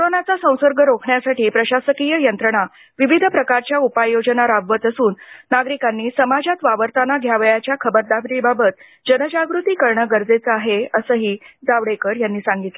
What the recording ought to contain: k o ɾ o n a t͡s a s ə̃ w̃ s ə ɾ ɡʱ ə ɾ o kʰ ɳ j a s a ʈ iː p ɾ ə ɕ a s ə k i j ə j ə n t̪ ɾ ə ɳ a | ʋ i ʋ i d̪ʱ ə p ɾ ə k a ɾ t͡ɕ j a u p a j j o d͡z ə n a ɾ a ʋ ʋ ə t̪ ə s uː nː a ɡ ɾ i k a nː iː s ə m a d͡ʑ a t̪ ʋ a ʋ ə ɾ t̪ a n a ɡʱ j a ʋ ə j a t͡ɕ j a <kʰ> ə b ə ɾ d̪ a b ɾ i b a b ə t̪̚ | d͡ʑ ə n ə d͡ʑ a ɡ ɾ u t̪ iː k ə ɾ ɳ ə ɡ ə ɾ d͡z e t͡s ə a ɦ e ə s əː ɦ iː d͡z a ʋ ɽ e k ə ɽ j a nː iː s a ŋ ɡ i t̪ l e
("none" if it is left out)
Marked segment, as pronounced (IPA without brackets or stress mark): kʰ